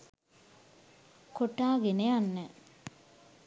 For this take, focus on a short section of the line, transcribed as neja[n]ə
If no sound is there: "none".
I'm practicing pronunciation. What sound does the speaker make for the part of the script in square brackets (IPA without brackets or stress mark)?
nː